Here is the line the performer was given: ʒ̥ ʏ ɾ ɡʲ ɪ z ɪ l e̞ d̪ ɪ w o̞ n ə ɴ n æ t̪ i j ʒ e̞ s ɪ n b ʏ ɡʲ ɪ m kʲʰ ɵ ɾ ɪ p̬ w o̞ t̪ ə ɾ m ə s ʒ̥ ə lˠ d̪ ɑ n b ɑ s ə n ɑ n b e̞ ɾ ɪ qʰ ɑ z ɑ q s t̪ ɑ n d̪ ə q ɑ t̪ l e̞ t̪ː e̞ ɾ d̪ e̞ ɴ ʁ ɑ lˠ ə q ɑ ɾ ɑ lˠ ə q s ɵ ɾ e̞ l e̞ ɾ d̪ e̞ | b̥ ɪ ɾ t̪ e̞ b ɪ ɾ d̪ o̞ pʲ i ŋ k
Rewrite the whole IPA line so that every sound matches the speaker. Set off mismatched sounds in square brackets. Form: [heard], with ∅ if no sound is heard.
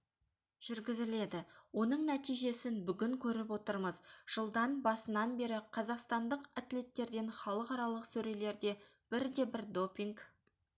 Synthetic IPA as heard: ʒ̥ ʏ ɾ ɡʲ ɪ z ɪ l e̞ d̪ ɪ w o̞ n ə ɴ n æ t̪ i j ʒ e̞ s ɪ n b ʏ ɡʲ ɪ [ŋ] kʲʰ ɵ ɾ ɪ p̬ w o̞ t̪ ə ɾ m ə [z] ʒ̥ ə lˠ d̪ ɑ n b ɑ s ə n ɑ n b e̞ ɾ ɪ qʰ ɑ z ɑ q s t̪ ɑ n d̪ ə q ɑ t̪ l e̞ t̪ː e̞ ɾ d̪ e̞ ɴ [χ] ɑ lˠ ə q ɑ ɾ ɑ lˠ ə q s ɵ ɾ e̞ l e̞ ɾ d̪ e̞ | b̥ ɪ ɾ [d̪] e̞ b ɪ ɾ d̪ o̞ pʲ i ŋ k